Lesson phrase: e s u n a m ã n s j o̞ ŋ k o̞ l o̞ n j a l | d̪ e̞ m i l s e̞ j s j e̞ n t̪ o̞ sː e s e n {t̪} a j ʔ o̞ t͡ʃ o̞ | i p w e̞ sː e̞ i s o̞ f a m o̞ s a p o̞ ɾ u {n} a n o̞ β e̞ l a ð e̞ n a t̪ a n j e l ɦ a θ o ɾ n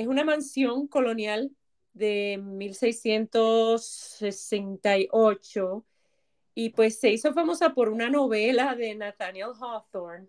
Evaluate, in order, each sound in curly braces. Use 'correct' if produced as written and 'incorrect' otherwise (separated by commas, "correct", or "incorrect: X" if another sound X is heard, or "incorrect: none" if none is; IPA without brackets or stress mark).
correct, correct